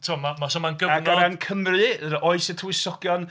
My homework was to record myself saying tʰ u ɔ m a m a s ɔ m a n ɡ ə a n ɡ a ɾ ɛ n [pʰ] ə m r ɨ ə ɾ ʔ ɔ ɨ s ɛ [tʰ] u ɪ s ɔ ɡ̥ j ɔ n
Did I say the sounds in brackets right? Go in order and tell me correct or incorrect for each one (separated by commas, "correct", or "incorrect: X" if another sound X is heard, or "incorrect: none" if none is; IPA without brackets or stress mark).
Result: incorrect: kʰ, correct